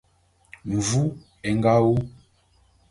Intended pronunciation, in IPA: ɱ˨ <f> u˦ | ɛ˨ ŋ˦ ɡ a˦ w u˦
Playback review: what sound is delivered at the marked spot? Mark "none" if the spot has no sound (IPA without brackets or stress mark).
v